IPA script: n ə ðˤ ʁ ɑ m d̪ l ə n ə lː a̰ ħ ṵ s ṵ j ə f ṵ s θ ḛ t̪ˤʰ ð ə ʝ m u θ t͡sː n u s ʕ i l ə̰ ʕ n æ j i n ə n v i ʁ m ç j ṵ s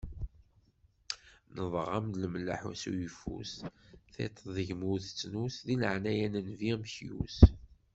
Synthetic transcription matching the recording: n ə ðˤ ʁ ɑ m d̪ l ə m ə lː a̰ ħ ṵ s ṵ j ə f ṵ s θ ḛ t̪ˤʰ ð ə ʝ m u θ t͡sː n u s ð i l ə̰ ʕ n æ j æ n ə n v i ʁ m ç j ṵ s